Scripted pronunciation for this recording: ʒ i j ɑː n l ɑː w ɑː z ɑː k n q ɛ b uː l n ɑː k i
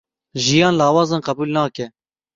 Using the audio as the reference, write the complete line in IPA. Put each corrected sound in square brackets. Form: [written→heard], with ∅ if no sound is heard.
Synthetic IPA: ʒ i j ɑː n l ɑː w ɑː z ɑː [k→∅] n q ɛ b uː l n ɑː k [i→ɛ]